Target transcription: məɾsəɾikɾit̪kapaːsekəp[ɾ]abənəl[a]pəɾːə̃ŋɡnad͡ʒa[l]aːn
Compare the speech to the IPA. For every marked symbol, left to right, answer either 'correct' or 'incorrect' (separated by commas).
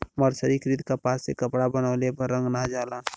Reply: incorrect, incorrect, correct